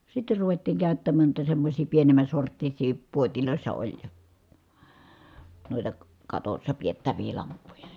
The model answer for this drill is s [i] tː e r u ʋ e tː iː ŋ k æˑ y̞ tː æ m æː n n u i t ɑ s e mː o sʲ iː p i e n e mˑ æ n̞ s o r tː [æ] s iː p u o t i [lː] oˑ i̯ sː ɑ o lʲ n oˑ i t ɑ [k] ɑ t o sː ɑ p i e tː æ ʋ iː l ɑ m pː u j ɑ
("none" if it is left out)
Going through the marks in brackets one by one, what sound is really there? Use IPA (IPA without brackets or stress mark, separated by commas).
i, i, l, k